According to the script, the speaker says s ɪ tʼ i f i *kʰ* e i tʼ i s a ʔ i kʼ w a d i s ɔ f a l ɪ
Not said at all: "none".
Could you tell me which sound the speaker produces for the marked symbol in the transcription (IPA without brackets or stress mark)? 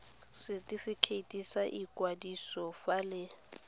kʰ